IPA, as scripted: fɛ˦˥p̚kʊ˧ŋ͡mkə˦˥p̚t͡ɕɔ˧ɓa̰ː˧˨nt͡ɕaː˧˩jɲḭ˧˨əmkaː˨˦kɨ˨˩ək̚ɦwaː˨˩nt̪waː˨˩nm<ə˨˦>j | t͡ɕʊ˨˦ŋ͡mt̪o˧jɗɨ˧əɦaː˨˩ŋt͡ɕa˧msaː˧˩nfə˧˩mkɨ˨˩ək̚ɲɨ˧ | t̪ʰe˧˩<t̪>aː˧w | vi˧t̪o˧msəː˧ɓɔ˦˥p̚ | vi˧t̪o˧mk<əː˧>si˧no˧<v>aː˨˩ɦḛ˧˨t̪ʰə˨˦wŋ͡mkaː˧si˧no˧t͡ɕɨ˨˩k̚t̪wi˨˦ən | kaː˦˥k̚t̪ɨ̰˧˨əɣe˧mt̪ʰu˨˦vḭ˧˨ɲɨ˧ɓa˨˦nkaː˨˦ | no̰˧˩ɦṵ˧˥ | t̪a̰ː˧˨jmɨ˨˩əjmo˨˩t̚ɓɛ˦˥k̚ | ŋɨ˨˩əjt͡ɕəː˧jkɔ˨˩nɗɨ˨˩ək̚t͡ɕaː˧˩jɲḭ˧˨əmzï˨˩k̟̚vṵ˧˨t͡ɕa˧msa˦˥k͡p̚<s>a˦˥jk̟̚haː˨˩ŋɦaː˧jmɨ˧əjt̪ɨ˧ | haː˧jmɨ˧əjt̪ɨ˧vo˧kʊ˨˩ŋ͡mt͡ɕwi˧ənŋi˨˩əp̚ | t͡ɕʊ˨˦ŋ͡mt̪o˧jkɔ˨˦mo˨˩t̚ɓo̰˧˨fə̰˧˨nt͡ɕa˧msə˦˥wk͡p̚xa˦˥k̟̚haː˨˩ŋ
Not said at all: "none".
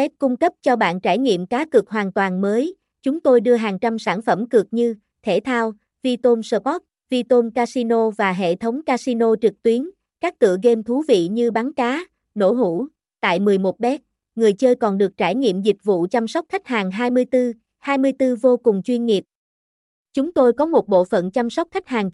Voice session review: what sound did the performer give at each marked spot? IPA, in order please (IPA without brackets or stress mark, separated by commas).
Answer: əː˨˦, t̪ʰ, aː˧, v, x